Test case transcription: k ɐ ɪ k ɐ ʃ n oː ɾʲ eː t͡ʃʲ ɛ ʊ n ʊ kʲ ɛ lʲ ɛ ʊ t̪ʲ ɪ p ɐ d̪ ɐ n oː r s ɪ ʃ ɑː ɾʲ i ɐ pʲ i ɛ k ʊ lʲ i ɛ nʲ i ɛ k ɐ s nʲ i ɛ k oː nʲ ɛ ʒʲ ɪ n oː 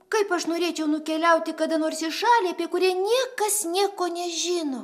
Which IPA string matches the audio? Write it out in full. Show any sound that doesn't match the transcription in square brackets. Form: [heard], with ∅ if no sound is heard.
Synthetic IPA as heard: k ɐ ɪ [p] ɐ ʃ n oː ɾʲ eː t͡ʃʲ ɛ ʊ n ʊ kʲ ɛ lʲ ɛ ʊ t̪ʲ ɪ [k] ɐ d̪ ɐ n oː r s ɪ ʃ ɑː [lʲ] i ɐ pʲ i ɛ k ʊ [ɾʲ] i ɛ nʲ i ɛ k ɐ s nʲ i ɛ k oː nʲ ɛ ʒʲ ɪ n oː

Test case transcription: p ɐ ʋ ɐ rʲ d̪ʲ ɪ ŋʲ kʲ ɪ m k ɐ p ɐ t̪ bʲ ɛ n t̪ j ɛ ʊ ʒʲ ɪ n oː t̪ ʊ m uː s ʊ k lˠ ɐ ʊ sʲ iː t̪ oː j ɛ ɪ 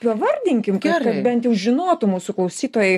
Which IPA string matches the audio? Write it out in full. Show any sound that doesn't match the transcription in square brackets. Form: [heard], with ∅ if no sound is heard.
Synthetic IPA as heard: p ɐ ʋ ɐ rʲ d̪ʲ ɪ ŋʲ kʲ ɪ m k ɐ [k] ɐ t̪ bʲ ɛ n t̪ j ɛ ʊ ʒʲ ɪ n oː t̪ ʊ m uː s ʊ k lˠ ɐ ʊ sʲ iː t̪ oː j ɛ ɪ

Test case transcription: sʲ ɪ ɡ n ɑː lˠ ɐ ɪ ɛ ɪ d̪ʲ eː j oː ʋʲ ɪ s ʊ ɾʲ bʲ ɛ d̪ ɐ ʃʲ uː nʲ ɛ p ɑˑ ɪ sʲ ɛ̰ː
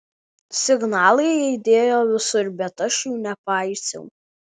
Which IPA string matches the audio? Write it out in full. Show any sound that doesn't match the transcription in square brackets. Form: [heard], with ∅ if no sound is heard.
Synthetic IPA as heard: sʲ ɪ ɡ n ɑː lˠ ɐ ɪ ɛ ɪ d̪ʲ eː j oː ʋʲ ɪ s ʊ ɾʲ bʲ ɛ [t̪] ɐ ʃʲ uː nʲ ɛ p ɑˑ ɪ sʲ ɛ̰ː

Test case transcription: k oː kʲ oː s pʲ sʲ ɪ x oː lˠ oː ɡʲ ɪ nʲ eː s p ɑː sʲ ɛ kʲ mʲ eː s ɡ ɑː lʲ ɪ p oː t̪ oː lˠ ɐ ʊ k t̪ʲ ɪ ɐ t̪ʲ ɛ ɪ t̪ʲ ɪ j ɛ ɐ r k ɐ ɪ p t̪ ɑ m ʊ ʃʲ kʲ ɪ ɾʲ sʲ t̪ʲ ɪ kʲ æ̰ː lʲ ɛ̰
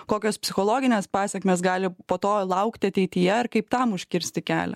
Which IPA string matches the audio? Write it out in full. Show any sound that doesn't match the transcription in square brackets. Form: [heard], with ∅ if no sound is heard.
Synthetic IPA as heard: k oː kʲ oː s pʲ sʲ ɪ x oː lˠ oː ɡʲ ɪ nʲ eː s p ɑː sʲ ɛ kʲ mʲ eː s ɡ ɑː lʲ ɪ p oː t̪ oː lˠ ɐ ʊ k t̪ʲ ɪ ɐ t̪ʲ ɛ ɪ t̪ʲ ɪ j ɛ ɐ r k ɐ ɪ p t̪ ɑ m ʊ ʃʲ kʲ ɪ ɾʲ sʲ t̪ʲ ɪ kʲ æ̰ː lʲ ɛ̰

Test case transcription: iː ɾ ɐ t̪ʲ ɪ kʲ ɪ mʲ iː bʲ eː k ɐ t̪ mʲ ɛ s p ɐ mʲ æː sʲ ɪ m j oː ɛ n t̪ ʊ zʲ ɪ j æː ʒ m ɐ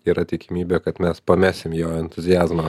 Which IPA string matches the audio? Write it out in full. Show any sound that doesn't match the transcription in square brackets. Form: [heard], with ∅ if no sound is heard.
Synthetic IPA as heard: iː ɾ ɐ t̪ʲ ɪ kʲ ɪ mʲ iː bʲ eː k ɐ t̪ mʲ ɛ s p ɐ mʲ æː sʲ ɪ m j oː ɛ n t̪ ʊ zʲ ɪ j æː [z] m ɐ

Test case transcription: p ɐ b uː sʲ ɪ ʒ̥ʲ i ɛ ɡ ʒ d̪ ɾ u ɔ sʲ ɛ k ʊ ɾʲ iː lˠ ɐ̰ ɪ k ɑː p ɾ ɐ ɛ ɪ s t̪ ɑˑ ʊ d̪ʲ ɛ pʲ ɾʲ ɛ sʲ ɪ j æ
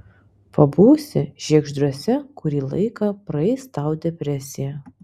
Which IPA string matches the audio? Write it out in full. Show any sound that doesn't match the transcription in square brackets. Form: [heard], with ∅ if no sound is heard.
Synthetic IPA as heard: p ɐ b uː sʲ ɪ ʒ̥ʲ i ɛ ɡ ʒ d̪ ɾ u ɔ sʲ ɛ k ʊ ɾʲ iː lˠ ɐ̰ ɪ k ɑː p ɾ ɐ ɛ ɪ s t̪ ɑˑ ʊ d̪ʲ ɛ pʲ ɾʲ ɛ sʲ ɪ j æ

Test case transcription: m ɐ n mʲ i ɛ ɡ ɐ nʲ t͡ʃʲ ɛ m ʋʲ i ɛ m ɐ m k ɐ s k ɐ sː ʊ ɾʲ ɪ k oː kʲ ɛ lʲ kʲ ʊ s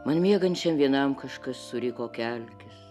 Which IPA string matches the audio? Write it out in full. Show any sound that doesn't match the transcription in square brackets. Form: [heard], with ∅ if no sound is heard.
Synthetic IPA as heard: m ɐ n mʲ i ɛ ɡ ɐ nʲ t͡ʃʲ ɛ m ʋʲ i ɛ [n] ɐ m k ɐ [ʃ] k ɐ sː ʊ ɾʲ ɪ k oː kʲ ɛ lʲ kʲ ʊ s

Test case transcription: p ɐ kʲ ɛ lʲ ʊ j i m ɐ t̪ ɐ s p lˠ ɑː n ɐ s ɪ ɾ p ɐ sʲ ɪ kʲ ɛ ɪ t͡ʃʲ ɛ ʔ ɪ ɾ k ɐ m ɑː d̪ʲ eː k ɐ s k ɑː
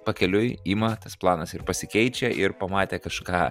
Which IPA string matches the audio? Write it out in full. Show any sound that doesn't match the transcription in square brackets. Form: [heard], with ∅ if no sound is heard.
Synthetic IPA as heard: p ɐ kʲ ɛ lʲ ʊ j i m ɐ t̪ ɐ s p lˠ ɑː n ɐ s ɪ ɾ p ɐ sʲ ɪ kʲ ɛ ɪ t͡ʃʲ ɛ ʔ ɪ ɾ [p] ɐ m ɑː [t̪ʲ] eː k ɐ [ʃ] k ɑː

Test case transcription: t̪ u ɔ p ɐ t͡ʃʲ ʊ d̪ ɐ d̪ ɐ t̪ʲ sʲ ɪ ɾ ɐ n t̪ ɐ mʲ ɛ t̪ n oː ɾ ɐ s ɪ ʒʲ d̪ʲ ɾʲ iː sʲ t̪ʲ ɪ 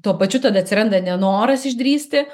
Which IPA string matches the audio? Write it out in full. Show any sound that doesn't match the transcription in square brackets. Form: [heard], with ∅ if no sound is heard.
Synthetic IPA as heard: t̪ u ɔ p ɐ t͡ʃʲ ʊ [t̪] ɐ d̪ ɐ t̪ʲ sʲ ɪ ɾ ɐ n [d̪] ɐ [nʲ] ɛ [∅] n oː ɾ ɐ s ɪ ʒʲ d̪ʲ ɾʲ iː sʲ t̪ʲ ɪ

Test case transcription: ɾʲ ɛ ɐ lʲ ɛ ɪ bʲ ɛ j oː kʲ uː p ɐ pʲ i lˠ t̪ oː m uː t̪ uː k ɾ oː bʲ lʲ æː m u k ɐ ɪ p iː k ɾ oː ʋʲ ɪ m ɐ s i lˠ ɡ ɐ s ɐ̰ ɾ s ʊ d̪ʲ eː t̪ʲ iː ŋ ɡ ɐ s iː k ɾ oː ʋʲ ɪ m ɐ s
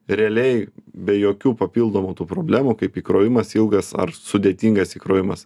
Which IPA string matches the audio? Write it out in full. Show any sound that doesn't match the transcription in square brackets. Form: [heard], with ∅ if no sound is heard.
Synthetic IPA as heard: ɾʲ ɛ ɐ lʲ ɛ ɪ bʲ ɛ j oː kʲ uː p ɐ pʲ i lˠ [d̪] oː m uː t̪ uː [p] ɾ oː bʲ lʲ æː m u k ɐ ɪ p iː k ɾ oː ʋʲ ɪ m ɐ s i lˠ ɡ ɐ s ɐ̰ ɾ s ʊ d̪ʲ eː t̪ʲ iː ŋ ɡ ɐ s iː k ɾ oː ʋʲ ɪ m ɐ s

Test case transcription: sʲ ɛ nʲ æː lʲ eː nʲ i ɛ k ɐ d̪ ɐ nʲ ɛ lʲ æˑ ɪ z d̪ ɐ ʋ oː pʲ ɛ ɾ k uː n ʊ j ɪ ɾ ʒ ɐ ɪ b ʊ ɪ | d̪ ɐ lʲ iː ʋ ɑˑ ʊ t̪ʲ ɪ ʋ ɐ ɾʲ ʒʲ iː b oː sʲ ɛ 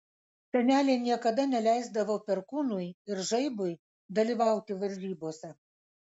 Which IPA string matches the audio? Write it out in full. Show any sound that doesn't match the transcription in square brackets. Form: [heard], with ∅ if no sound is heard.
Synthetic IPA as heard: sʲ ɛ nʲ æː lʲ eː nʲ i ɛ k ɐ d̪ ɐ nʲ ɛ lʲ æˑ ɪ z d̪ ɐ ʋ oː pʲ ɛ ɾ k uː n ʊ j ɪ ɾ ʒ ɐ ɪ b ʊ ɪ | d̪ ɐ lʲ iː ʋ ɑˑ ʊ t̪ʲ ɪ ʋ ɐ ɾʲ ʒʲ iː b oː sʲ ɛ

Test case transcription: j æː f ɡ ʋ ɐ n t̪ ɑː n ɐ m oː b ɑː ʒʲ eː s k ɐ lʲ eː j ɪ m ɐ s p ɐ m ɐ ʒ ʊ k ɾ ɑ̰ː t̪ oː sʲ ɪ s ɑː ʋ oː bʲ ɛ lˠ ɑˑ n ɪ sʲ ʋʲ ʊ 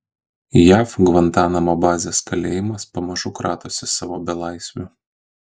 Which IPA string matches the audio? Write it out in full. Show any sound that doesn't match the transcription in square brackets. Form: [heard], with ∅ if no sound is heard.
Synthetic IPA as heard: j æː f ɡ ʋ ɐ n t̪ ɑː n ɐ m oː b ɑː [zʲ] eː s k ɐ lʲ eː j ɪ m ɐ s p ɐ m ɐ ʒ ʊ k ɾ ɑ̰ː t̪ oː sʲ ɪ s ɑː ʋ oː bʲ ɛ lˠ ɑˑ [∅] ɪ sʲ ʋʲ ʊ

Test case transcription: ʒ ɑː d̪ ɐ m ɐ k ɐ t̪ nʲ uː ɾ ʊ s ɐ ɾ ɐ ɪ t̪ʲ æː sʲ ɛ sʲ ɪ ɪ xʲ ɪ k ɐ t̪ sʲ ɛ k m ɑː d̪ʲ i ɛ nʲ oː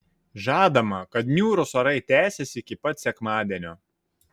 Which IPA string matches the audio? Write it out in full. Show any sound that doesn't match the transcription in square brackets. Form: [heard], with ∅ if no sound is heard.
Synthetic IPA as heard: ʒ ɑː d̪ ɐ m ɐ k ɐ t̪ nʲ uː ɾ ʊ s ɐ ɾ ɐ ɪ t̪ʲ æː sʲ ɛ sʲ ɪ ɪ [kʲ] ɪ [p] ɐ t̪ sʲ ɛ k m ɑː d̪ʲ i ɛ nʲ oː

